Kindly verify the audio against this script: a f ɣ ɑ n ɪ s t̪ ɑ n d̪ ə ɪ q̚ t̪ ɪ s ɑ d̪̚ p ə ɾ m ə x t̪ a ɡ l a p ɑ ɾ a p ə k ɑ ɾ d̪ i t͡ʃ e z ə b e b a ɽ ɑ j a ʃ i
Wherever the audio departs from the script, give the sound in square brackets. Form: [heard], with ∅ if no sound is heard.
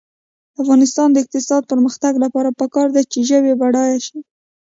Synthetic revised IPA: a f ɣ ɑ n ɪ s t̪ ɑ n d̪ ə ɪ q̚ t̪ ɪ s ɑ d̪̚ p ə ɾ m ə x t̪ a ɡ l a p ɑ ɾ a p ə k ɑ ɾ d̪ [a] t͡ʃ e [ʒ] ə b e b a ɽ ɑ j a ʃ i